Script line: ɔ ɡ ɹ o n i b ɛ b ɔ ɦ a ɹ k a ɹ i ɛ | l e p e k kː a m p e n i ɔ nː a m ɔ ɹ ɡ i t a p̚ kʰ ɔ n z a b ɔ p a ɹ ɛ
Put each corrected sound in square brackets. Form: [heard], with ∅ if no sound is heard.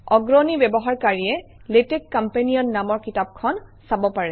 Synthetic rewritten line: ɔ ɡ ɹ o n i b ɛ b ɔ ɦ a ɹ k a ɹ i ɛ | l e [t] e k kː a m p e n i ɔ nː a m ɔ ɹ [k] i t a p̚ kʰ ɔ n [s] a b ɔ p a ɹ ɛ

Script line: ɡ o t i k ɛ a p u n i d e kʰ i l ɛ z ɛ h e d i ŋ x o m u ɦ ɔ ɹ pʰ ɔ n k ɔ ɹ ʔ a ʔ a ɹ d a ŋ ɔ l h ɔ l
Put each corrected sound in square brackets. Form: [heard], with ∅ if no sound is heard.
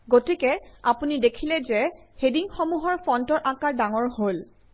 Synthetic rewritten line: ɡ o t i k ɛ a p u n i d e kʰ i l ɛ z ɛ h e d i ŋ x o m u ɦ ɔ ɹ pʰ ɔ n [t] ɔ ɹ ʔ a [k] a ɹ d a ŋ ɔ [ɹ] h [o] l

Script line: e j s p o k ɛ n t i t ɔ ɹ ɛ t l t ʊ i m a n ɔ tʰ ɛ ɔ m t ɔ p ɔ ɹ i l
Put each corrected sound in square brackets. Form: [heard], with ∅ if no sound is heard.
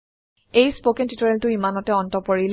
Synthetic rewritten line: e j s p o k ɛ n t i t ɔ ɹ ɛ [∅] l t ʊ i m a n ɔ [t] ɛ ɔ [n] t ɔ p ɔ ɹ i l

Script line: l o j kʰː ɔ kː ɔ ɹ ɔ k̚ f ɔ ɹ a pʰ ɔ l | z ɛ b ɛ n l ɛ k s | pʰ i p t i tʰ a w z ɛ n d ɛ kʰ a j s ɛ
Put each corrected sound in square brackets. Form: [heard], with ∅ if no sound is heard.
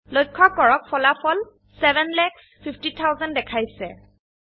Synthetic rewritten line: l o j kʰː ɔ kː ɔ ɹ ɔ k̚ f ɔ [l] a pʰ ɔ l | [s] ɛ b ɛ n l ɛ k s | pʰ i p t i tʰ a w z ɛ n d ɛ kʰ a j s ɛ

